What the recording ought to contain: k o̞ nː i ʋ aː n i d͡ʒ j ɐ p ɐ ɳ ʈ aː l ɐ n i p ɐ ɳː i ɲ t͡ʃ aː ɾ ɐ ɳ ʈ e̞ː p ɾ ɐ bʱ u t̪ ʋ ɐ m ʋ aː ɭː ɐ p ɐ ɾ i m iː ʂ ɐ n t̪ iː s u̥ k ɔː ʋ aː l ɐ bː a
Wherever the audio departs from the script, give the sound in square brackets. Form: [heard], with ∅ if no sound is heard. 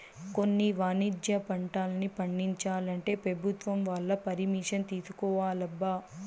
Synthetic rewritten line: k o̞ nː i ʋ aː n i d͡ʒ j ɐ p ɐ ɳ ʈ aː l ɐ n i p ɐ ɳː i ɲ t͡ʃ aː [l] ɐ ɳ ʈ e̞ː p ɾ ɐ bʱ u t̪ ʋ ɐ m ʋ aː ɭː ɐ p ɐ ɾ i m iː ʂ ɐ n t̪ iː s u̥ k ɔː ʋ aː l ɐ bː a

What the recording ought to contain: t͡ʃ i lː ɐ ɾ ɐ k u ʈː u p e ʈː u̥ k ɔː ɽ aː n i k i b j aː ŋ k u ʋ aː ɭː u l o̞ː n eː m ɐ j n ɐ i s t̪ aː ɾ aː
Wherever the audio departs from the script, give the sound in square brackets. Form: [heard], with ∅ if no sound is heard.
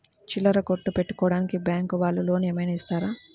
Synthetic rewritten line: t͡ʃ i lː ɐ ɾ ɐ k [o] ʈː u p e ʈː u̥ k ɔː ɽ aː n i k i b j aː ŋ k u ʋ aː ɭː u l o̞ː n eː m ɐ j n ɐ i s t̪ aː ɾ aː

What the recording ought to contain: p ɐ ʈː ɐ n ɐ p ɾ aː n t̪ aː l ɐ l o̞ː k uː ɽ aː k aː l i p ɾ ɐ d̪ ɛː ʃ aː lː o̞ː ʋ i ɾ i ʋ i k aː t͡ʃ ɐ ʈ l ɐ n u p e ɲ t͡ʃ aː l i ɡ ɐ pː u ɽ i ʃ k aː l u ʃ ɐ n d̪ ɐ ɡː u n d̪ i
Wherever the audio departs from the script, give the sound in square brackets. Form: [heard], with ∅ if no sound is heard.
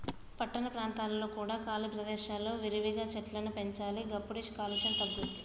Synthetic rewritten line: p ɐ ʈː ɐ n ɐ p ɾ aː n t̪ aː l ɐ l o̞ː k uː ɽ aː k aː l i p ɾ ɐ d̪ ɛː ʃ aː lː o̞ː ʋ i ɾ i ʋ i [ɡ] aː t͡ʃ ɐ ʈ l ɐ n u p e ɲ t͡ʃ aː l i ɡ ɐ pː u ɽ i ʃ k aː l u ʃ ɐ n [t̪] ɐ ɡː u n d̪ i

